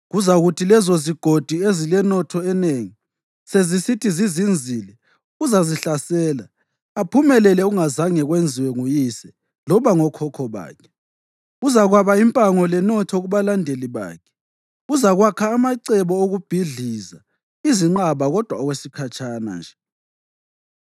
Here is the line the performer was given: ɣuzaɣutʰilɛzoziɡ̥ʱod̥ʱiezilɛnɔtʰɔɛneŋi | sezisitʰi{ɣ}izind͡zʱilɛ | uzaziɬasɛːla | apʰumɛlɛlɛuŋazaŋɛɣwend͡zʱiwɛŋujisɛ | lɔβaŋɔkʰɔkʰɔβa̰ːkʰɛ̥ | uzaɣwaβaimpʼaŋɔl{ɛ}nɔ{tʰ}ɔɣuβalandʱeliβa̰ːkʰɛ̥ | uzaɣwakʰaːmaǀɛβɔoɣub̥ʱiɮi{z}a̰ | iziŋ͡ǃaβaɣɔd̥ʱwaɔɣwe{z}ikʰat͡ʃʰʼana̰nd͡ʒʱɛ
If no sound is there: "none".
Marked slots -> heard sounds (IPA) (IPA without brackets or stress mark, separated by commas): z, ɛ, tʰ, z, s